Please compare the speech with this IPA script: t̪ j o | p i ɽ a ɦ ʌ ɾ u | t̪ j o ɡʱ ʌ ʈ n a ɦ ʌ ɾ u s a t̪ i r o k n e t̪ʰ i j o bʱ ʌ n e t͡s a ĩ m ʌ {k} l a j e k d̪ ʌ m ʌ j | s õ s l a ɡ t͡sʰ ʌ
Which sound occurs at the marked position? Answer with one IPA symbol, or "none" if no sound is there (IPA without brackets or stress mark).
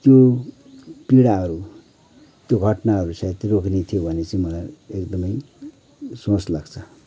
none